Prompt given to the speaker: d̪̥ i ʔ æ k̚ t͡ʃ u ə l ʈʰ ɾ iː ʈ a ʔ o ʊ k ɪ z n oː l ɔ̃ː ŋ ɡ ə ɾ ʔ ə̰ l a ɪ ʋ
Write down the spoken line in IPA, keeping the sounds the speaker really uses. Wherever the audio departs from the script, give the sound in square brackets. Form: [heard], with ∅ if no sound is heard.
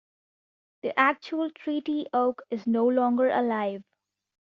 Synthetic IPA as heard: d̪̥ i ʔ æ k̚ t͡ʃ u ə l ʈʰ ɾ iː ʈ [i] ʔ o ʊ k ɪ z n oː l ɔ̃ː ŋ ɡ ə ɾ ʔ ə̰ l a ɪ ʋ